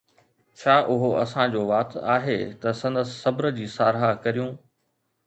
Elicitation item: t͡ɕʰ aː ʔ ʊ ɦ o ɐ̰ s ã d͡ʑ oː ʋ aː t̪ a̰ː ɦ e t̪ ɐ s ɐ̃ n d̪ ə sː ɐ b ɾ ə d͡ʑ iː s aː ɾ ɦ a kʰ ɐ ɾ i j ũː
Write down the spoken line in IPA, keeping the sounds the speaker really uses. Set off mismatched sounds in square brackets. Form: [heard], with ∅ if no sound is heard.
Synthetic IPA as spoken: t͡ɕʰ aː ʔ ʊ ɦ o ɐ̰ s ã d͡ʑ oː ʋ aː t̪ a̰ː ɦ e t̪ ɐ s ɐ̃ n d̪ ə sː ɐ b ɾ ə d͡ʑ iː s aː ɾ ɦ a [k] ɐ ɾ i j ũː